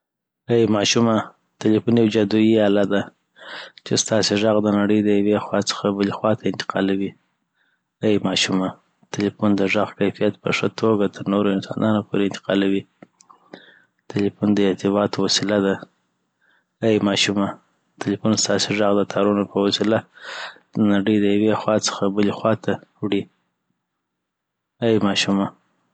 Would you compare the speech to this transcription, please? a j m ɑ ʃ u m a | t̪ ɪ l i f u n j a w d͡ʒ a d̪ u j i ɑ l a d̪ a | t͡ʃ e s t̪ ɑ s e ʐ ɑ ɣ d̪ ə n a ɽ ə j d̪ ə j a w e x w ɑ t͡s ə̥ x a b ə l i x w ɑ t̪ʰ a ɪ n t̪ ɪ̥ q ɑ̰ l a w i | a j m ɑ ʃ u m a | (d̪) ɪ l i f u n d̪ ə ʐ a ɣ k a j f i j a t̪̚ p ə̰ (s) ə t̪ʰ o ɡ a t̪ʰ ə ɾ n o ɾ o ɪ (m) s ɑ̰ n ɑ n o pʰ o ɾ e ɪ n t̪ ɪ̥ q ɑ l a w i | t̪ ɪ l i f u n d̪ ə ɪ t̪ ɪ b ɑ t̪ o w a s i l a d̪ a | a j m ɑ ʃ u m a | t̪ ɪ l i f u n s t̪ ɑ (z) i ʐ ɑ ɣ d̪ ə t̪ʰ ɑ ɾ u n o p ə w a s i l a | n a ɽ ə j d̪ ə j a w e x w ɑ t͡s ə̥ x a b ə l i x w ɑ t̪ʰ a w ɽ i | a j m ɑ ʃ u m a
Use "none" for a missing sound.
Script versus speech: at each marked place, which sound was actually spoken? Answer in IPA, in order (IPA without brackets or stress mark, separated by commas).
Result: t̪, ʂ, n, s